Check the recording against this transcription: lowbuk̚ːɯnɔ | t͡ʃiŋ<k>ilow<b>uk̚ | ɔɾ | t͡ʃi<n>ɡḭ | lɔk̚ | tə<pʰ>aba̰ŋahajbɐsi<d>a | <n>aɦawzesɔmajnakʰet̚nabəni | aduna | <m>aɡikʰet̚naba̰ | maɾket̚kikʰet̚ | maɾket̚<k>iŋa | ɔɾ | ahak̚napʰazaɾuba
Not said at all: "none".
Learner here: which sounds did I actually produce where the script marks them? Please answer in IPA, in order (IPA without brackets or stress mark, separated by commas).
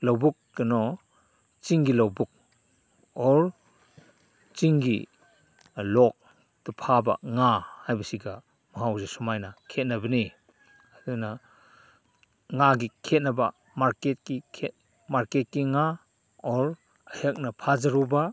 ɡ, b, ŋ, pʰ, ɡ, m, ŋ, k